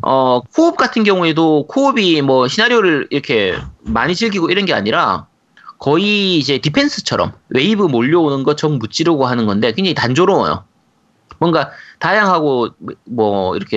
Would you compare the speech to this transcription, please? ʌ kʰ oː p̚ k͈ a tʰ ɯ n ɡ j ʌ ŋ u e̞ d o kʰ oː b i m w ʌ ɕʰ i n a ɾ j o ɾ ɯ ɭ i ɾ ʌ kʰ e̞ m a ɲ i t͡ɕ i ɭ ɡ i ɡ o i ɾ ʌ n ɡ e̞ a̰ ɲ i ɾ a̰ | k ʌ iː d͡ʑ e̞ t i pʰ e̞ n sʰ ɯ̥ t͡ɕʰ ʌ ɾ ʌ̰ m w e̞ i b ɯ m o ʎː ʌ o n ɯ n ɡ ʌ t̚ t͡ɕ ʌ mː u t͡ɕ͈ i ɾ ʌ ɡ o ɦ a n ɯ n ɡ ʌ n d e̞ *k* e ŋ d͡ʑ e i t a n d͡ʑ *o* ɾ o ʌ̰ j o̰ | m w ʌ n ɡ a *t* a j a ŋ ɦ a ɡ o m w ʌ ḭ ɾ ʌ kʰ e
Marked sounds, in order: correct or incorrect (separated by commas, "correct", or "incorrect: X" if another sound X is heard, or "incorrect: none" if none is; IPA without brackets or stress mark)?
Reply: correct, correct, correct